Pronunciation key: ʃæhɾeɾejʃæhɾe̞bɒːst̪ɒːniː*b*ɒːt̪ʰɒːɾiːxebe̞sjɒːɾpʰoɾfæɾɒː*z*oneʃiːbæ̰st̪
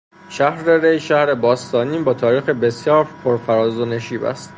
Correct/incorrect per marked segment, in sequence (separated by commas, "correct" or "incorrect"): correct, correct